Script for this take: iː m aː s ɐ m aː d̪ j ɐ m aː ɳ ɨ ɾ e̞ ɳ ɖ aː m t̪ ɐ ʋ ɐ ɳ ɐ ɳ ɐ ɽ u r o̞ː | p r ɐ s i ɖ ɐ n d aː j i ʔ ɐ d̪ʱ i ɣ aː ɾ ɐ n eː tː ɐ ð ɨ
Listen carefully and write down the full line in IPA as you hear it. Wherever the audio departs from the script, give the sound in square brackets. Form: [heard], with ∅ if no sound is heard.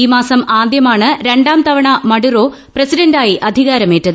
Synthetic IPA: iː m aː s ɐ m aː d̪ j ɐ m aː ɳ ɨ ɾ e̞ ɳ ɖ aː m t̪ ɐ ʋ ɐ ɳ ɐ [m] ɐ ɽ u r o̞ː | p r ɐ s i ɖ ɐ n d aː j i ʔ ɐ d̪ʱ i ɣ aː ɾ ɐ [m] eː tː ɐ ð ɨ